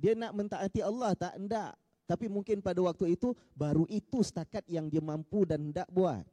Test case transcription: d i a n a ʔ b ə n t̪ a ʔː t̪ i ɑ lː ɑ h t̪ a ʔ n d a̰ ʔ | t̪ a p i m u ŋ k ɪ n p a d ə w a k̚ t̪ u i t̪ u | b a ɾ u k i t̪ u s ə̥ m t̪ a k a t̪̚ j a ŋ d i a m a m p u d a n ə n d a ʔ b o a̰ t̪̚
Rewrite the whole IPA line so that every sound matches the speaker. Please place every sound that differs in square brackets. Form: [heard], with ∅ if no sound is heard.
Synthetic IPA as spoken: d i a n a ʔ [m] ə n t̪ a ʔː t̪ i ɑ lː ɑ h t̪ a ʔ n d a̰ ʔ | t̪ a p i m u ŋ k ɪ n p a d [a] w a k̚ t̪ u i t̪ u | b a ɾ u [ʔ] i t̪ u s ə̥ [∅] t̪ a k a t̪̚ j a ŋ d i a m a m p u d a n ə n d a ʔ b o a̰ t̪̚